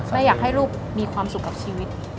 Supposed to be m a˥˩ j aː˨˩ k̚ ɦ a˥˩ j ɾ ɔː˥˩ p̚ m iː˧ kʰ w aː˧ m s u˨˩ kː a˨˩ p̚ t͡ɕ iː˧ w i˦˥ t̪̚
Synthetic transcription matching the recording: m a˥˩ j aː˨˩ k̚ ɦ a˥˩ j ɾ uː˥˩ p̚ m iː˧ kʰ w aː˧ m s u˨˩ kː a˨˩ p̚ t͡ɕʰ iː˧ w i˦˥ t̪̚